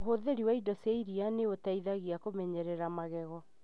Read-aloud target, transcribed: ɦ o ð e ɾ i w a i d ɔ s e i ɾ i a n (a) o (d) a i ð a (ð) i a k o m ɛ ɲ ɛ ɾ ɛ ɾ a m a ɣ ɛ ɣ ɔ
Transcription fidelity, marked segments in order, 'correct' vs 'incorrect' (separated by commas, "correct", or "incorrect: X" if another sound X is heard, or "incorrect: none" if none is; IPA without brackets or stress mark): incorrect: e, incorrect: t, incorrect: ɣ